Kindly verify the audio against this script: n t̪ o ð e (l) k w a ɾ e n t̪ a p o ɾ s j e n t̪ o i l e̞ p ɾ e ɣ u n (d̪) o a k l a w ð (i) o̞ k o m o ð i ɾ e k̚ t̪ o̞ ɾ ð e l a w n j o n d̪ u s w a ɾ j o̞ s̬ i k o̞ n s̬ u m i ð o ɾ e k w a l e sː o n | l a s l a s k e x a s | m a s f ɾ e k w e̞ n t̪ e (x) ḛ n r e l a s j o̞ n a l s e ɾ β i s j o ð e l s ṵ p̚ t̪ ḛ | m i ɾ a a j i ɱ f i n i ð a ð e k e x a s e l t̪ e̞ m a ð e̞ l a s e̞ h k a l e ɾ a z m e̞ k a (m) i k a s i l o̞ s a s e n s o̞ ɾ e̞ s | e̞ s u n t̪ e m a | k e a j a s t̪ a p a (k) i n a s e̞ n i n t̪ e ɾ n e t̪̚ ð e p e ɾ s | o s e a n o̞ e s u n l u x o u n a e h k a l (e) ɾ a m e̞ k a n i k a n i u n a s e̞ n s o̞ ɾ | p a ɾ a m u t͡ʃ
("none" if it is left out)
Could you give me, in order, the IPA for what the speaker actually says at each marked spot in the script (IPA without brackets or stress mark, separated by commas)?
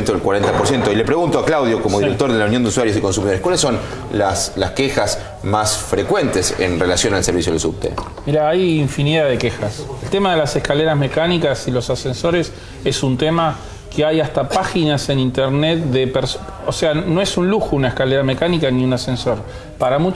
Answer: l, t̪, j, s, n, x, e